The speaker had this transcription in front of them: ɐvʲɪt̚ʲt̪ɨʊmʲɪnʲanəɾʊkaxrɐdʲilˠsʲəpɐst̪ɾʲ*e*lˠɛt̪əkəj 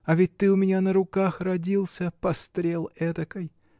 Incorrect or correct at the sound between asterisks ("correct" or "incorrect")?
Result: correct